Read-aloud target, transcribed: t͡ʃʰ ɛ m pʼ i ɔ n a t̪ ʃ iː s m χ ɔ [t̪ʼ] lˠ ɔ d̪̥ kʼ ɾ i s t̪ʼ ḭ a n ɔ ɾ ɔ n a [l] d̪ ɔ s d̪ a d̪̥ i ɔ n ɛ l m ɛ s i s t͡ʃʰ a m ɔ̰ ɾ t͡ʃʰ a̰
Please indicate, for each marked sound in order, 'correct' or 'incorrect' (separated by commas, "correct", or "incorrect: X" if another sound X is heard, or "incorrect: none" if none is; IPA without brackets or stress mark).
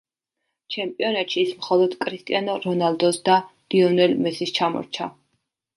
incorrect: none, correct